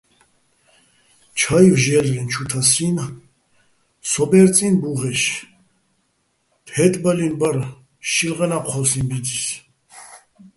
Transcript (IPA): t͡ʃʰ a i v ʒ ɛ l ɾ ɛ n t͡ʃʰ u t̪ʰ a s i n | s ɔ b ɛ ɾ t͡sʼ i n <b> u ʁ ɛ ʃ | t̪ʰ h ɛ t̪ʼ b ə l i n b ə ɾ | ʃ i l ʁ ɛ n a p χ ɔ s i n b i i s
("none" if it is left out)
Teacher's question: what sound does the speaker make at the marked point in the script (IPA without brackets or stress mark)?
b